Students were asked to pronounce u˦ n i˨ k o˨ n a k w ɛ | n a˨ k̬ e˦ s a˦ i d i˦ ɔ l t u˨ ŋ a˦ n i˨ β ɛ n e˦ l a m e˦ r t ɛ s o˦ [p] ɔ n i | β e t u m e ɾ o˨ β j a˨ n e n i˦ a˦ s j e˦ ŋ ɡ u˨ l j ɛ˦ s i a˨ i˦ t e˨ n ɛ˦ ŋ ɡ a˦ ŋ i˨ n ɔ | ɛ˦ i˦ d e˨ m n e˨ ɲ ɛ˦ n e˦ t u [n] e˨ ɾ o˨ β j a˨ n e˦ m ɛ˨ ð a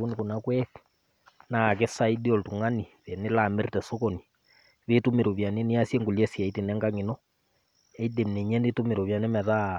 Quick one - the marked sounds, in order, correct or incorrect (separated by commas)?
incorrect, incorrect